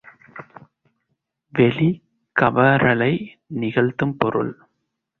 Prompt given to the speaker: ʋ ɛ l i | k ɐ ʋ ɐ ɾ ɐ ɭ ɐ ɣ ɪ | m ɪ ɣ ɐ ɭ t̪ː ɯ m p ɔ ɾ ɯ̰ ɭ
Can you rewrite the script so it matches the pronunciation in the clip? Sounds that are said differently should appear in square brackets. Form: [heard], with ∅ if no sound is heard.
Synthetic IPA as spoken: ʋ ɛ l i | k ɐ ʋ ɐ ɾ ɐ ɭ ɐ [∅] ɪ | [n] ɪ ɣ ɐ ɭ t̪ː ɯ m p ɔ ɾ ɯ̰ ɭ